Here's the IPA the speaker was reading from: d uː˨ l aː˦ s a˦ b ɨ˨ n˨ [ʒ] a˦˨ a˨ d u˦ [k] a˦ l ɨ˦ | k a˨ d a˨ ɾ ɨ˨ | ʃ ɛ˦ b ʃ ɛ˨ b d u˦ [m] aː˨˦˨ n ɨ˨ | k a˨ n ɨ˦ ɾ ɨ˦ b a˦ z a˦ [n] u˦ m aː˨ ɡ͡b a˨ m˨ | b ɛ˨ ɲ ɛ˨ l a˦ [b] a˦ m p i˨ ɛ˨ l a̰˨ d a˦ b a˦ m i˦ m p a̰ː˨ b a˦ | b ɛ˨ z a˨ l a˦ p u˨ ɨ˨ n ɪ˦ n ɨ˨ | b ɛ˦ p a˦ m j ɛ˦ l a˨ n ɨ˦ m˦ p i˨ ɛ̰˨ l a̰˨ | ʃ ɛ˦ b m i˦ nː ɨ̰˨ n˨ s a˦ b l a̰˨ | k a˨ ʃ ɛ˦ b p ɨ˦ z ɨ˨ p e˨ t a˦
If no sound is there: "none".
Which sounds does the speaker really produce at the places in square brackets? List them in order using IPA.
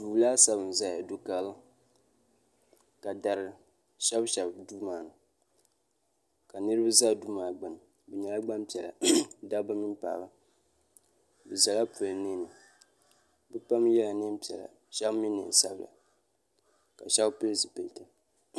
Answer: z, k, m, d, ɡ͡b

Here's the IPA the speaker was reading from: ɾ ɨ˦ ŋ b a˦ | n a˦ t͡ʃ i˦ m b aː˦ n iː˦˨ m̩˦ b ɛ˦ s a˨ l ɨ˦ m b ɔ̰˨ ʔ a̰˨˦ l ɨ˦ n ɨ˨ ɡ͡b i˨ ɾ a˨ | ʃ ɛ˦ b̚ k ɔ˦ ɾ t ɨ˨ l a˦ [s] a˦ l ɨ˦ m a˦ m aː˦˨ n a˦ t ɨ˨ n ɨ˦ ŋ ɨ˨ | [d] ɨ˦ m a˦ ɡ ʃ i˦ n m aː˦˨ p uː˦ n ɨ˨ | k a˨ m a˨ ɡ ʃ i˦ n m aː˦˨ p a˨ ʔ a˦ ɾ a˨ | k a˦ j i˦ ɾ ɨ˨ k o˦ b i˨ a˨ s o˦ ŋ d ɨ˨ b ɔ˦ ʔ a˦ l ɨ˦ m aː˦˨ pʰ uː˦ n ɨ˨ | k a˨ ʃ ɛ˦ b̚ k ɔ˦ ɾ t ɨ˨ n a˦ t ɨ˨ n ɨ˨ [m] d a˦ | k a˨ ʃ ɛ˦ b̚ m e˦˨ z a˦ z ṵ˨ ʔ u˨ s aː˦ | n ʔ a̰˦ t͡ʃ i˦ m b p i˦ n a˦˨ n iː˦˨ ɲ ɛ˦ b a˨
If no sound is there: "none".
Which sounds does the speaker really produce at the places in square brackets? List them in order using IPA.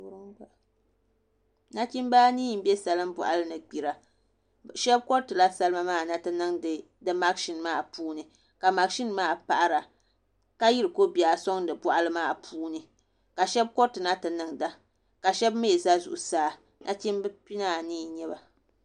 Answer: s, d, ŋ

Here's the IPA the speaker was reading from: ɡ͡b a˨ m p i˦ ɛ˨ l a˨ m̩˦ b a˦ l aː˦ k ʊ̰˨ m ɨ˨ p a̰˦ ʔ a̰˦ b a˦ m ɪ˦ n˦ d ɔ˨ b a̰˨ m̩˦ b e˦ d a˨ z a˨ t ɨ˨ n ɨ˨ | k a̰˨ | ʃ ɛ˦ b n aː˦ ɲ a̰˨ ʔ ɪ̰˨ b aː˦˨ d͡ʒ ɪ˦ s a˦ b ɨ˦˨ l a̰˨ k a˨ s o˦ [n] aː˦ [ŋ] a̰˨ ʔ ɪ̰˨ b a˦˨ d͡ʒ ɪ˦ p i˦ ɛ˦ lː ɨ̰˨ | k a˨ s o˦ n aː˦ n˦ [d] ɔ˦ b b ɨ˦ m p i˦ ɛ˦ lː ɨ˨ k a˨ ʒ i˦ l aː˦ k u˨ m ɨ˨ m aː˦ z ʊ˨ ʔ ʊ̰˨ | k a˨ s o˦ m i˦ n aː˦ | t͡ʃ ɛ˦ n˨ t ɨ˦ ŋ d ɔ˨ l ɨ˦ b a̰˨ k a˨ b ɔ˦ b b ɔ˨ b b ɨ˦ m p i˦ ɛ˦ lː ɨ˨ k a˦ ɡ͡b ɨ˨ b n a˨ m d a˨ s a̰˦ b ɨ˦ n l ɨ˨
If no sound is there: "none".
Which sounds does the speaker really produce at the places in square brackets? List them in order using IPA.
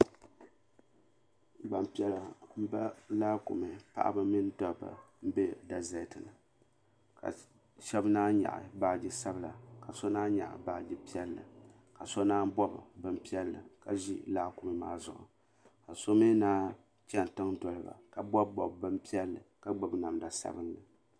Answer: n, ɲ, b

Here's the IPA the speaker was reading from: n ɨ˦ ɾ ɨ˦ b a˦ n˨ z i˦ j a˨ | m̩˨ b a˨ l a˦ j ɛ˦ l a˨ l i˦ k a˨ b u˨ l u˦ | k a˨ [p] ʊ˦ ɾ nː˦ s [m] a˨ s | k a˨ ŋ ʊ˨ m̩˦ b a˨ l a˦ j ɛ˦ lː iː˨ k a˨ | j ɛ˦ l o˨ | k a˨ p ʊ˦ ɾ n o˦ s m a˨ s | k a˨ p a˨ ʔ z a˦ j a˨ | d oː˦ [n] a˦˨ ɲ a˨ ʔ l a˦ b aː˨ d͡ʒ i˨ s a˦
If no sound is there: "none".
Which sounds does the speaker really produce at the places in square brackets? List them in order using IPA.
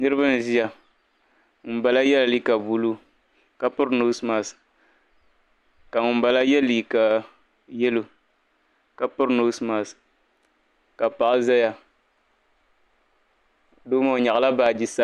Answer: p, m, m

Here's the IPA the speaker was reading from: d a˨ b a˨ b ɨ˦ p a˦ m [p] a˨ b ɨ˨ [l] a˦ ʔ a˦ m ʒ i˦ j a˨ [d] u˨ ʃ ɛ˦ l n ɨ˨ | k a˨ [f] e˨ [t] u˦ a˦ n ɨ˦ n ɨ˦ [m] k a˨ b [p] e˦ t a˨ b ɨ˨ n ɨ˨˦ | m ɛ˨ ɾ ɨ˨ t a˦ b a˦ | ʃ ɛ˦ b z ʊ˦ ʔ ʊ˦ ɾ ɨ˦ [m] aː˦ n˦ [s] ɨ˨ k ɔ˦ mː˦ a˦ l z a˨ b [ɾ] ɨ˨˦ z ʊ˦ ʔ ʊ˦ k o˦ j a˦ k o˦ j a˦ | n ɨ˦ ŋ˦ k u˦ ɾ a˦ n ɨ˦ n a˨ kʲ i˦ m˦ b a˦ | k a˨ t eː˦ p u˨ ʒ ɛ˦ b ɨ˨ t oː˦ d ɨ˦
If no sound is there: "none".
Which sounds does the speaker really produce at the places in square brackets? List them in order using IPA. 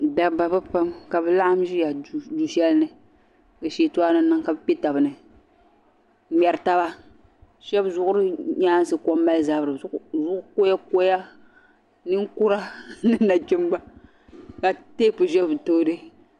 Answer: k, l, d, ʃ, t, ŋ, p, ɲ, s, ɾ

